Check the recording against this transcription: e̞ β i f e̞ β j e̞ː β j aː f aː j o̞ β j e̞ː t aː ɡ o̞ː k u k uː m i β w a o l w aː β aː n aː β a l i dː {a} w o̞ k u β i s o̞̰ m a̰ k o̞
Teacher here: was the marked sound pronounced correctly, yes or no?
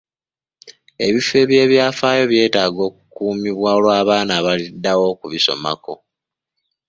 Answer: yes